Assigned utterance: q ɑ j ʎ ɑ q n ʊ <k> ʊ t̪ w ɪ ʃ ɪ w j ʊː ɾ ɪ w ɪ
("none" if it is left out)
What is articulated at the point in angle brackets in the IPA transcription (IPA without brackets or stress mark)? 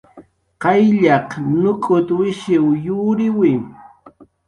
kʼ